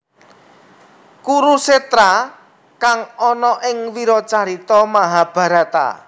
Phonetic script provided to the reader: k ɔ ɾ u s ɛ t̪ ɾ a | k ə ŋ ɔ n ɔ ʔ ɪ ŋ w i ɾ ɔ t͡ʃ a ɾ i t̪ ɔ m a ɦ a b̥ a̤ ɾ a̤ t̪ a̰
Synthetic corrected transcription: k u ɾ u s e t̪ ɾ a | k a ŋ ɔ n ɔ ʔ ɪ ŋ w i ɾ ɔ t͡ʃ a ɾ i t̪ ɔ m a ɦ a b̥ a̤ ɾ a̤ t̪ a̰